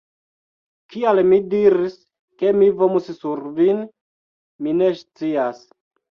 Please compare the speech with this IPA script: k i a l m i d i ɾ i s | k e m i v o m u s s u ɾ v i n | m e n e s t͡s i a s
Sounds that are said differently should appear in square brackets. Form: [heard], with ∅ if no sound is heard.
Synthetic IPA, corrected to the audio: k i a l m i d i ɾ i s | k e m i v o m u s s u ɾ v i n | m [i] n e s t͡s i a s